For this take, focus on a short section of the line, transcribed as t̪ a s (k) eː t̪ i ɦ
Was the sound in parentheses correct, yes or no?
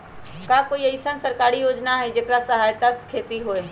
no